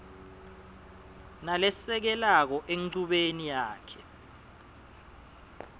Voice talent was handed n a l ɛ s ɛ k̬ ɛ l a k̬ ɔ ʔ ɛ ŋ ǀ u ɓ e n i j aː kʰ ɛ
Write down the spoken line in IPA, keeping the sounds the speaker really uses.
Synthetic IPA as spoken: n a l ɛ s ɛ k̬ ɛ l a k̬ ɔ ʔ e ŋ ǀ u ɓ e n i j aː kʰ ɛ